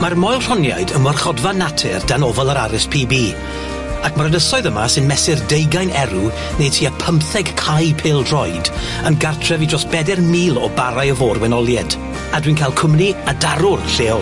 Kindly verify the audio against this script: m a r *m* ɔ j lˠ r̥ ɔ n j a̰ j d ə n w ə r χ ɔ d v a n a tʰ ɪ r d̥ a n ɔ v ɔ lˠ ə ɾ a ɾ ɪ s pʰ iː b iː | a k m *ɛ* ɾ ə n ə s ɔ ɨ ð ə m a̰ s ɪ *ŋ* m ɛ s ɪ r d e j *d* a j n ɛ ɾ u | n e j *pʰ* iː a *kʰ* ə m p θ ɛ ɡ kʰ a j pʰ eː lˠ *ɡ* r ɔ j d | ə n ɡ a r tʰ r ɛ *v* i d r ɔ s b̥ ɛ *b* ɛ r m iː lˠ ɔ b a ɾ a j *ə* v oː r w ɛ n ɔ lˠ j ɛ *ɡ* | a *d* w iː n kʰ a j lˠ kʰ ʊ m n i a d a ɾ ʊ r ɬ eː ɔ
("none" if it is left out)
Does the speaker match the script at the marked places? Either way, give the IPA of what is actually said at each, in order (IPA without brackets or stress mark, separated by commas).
m, a, n, ɡ, tʰ, pʰ, d, v, d, ə, d, d